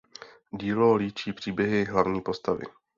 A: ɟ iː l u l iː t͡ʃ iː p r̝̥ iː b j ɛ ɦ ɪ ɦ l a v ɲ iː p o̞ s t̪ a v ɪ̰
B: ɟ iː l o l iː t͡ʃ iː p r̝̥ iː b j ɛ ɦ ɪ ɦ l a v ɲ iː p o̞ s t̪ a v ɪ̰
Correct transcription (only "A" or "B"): B